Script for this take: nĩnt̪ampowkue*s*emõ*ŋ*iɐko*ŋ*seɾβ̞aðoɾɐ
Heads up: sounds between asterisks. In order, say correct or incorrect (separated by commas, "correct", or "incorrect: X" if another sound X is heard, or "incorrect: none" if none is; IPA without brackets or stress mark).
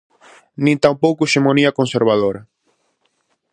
incorrect: ʃ, incorrect: n, incorrect: n